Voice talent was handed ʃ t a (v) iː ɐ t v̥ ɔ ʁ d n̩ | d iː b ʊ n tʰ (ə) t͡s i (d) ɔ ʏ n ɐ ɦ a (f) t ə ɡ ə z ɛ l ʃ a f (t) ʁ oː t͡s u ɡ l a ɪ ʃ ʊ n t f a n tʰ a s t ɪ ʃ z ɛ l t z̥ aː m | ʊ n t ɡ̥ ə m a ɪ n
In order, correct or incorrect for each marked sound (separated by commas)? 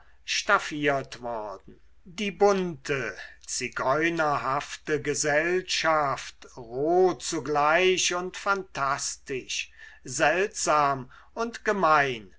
incorrect, correct, incorrect, correct, correct